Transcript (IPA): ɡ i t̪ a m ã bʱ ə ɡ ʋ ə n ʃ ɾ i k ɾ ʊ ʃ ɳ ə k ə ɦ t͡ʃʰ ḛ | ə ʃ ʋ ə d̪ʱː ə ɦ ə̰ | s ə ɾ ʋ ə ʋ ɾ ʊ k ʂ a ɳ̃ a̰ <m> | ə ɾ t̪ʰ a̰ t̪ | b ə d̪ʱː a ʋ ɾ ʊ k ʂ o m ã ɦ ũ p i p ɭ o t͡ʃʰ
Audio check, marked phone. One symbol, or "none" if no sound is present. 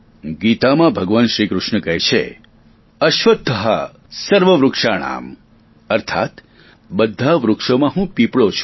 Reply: m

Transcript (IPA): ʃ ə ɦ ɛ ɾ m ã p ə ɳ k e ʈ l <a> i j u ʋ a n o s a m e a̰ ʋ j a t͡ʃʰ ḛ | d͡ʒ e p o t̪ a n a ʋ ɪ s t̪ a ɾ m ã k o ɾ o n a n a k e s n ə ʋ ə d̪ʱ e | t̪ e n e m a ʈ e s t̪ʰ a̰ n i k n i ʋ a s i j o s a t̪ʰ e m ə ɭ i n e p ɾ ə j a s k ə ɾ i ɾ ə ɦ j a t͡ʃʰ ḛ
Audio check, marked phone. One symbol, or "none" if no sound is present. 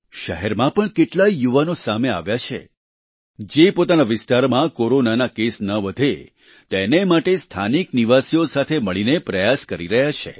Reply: a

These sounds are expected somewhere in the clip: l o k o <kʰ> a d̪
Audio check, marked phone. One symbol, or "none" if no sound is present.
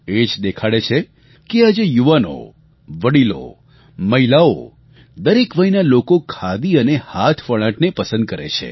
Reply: kʰ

